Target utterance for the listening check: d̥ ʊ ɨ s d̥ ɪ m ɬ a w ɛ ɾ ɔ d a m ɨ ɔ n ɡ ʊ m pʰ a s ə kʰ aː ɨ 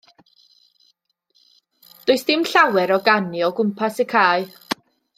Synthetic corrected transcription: d̥ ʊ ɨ s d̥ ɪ m ɬ a w ɛ ɾ ɔ ɡ a n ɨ ɔ ɡ ʊ m pʰ a s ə kʰ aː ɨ